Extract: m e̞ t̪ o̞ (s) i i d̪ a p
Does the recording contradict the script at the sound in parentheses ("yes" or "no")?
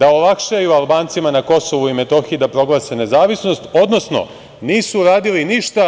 yes